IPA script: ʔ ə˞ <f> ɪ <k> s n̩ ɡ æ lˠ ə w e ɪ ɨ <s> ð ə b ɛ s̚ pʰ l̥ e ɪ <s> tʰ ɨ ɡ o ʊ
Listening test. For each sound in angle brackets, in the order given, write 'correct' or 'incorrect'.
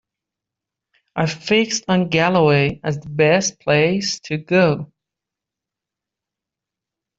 correct, correct, incorrect, correct

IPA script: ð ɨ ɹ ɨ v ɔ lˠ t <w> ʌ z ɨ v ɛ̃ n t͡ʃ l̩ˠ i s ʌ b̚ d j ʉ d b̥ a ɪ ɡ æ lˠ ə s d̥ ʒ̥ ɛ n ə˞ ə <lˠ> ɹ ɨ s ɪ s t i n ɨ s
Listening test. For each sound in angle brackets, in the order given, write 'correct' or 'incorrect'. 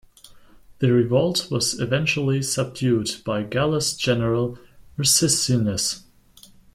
correct, correct

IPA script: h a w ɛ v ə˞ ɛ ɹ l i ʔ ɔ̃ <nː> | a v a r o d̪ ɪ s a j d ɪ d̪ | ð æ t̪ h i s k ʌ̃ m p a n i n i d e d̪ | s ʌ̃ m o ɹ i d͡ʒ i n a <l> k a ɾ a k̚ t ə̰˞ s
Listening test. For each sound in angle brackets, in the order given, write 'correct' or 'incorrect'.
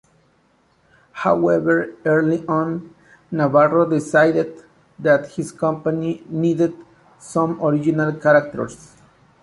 correct, correct

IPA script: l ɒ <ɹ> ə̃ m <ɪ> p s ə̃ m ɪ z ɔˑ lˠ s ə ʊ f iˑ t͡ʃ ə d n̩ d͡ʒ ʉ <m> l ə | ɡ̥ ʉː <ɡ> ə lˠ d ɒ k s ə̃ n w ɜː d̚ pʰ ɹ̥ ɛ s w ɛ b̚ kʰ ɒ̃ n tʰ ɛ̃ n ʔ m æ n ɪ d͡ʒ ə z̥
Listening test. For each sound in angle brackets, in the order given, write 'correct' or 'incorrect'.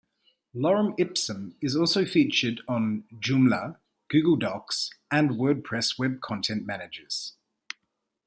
correct, correct, correct, correct

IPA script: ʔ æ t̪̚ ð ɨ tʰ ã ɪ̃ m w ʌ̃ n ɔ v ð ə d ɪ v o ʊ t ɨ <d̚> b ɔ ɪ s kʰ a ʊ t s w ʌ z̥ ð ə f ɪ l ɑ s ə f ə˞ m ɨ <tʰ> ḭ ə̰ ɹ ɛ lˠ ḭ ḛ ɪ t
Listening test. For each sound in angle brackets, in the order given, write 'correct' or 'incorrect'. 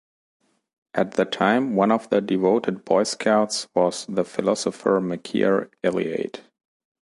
correct, incorrect

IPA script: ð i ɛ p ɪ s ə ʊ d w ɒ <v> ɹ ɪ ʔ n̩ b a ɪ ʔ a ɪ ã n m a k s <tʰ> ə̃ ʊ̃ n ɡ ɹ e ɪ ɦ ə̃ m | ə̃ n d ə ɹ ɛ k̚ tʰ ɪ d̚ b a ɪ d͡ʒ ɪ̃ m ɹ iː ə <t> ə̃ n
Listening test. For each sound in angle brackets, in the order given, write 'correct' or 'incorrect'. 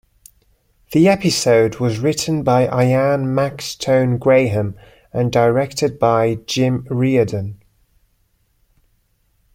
incorrect, correct, incorrect

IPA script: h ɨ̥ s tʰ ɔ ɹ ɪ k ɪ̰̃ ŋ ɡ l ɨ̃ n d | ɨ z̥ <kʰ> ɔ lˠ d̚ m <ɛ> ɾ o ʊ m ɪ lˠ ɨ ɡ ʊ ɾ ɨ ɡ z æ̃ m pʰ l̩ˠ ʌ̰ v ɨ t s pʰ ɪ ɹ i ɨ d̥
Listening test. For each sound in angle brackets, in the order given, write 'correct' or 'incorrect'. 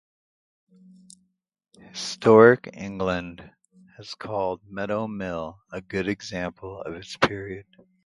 correct, correct

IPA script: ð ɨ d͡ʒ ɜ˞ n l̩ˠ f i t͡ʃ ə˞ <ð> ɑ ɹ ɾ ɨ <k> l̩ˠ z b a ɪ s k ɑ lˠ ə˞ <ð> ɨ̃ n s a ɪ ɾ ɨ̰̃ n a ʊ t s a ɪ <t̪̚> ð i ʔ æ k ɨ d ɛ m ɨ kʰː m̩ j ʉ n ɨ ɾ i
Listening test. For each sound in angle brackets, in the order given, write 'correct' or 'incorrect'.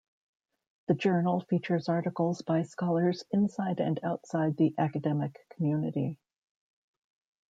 incorrect, correct, incorrect, incorrect

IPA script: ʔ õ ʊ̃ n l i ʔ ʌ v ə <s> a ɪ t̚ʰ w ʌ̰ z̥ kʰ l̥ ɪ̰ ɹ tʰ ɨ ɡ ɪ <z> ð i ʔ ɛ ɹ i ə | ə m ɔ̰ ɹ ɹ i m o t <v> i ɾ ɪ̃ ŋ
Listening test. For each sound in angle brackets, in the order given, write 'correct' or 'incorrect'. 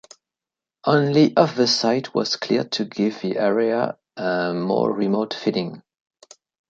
correct, incorrect, incorrect

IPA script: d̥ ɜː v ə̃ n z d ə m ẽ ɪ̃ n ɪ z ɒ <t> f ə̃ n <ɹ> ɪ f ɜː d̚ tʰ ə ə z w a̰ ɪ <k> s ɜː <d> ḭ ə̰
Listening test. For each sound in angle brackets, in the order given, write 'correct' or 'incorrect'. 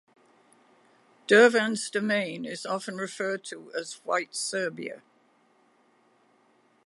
incorrect, correct, incorrect, incorrect

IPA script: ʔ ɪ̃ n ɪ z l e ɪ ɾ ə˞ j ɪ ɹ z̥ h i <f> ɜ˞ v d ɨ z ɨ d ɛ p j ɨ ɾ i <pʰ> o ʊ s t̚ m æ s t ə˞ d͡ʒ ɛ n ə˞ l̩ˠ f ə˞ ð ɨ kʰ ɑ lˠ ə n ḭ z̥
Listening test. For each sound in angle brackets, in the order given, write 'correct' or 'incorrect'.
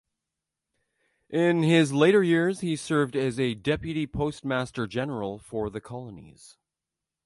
incorrect, correct

